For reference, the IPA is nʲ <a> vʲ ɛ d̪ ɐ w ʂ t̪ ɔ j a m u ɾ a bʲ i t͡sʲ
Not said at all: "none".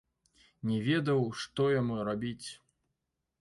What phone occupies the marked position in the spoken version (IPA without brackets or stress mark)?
ɛ